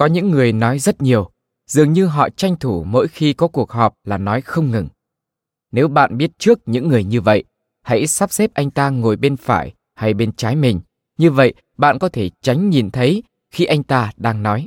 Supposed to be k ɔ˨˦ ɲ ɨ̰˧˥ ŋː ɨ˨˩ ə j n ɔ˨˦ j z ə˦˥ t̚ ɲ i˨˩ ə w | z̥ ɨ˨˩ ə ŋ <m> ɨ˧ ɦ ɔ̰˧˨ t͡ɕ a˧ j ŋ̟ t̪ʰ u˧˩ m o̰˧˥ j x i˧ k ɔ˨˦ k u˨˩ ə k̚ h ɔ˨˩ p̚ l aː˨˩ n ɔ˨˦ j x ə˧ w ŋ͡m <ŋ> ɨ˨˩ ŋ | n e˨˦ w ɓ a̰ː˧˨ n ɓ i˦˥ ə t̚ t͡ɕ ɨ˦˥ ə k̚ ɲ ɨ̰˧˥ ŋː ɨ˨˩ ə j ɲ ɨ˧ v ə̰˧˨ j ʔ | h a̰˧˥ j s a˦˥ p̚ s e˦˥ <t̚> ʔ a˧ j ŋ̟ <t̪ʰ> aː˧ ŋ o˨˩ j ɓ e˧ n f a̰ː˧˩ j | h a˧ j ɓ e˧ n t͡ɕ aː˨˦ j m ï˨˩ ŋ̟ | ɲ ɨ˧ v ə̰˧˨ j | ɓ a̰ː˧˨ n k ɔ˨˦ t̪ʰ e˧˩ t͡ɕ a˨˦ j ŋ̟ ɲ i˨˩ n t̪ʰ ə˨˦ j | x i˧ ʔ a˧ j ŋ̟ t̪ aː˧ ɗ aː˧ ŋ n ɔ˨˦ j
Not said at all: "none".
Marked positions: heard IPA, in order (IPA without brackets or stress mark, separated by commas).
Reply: ɲ, ŋ, p̚, t̪